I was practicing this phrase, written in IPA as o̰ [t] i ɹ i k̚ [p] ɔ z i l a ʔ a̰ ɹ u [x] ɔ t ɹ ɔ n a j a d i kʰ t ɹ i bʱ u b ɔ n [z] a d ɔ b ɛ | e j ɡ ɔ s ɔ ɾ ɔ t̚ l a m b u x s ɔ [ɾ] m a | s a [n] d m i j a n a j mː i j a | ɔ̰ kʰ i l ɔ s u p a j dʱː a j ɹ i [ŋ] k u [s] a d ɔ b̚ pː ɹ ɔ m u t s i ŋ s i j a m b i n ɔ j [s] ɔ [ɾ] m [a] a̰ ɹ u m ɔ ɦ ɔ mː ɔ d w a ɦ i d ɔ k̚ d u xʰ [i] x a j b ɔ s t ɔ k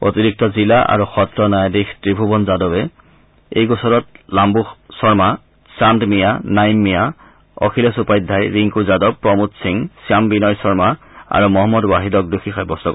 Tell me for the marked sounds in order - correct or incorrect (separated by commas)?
correct, incorrect, correct, correct, incorrect, correct, correct, incorrect, correct, incorrect, correct, correct